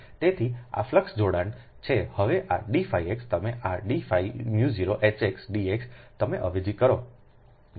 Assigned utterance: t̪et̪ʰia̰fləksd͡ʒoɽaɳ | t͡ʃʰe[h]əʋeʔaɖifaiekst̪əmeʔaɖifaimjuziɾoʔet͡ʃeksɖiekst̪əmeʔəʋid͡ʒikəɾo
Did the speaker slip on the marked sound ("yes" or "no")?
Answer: no